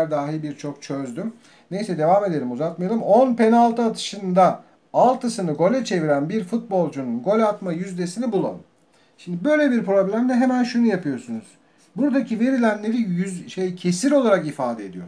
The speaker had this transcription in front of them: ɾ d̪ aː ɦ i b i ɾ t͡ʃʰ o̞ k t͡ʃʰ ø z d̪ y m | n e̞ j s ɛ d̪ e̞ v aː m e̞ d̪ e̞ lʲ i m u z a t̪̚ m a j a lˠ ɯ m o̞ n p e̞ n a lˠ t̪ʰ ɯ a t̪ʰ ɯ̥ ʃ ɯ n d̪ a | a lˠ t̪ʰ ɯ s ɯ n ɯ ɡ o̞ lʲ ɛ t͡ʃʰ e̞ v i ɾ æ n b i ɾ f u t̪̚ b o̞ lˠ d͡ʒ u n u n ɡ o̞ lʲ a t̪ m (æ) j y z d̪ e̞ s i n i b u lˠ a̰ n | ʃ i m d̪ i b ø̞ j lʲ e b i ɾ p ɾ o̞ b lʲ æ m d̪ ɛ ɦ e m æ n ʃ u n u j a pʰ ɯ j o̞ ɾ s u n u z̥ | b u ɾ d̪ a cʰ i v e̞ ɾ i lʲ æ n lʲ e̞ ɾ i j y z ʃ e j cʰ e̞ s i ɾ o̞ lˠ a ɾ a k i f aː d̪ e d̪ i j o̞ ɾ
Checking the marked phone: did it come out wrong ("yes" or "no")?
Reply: yes